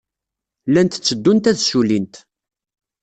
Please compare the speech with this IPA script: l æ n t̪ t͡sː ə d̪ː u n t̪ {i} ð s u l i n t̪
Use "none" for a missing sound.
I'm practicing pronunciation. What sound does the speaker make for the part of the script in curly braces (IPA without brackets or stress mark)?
æ